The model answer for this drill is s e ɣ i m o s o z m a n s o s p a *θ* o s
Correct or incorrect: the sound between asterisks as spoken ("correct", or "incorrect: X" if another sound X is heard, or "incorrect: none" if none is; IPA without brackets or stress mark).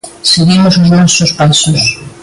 incorrect: s